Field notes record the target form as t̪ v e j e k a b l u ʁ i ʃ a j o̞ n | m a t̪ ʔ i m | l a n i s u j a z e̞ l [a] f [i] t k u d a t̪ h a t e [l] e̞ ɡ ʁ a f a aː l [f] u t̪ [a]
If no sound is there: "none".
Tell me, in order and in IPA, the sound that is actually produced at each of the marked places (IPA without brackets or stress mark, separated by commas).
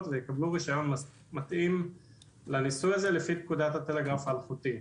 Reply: e, i, l, χ, i